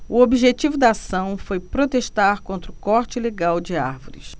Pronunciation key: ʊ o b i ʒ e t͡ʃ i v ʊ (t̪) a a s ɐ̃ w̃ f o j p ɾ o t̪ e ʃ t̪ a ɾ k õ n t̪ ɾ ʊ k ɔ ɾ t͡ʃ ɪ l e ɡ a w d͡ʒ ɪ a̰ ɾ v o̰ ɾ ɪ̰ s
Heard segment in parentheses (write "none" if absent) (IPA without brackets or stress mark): d̪